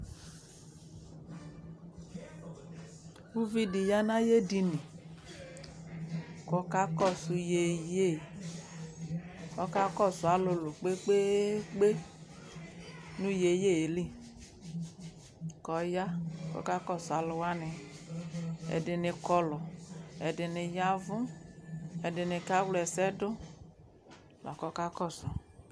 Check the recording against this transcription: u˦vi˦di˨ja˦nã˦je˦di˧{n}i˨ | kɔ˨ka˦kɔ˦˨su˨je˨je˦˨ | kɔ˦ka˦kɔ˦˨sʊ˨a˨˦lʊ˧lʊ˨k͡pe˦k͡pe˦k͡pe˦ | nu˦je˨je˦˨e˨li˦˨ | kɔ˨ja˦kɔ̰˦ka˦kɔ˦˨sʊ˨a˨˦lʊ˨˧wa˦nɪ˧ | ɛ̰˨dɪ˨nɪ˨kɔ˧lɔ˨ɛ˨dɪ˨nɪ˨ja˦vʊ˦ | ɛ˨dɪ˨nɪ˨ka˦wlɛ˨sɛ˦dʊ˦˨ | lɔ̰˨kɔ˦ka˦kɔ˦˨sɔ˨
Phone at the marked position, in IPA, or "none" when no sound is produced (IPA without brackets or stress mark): n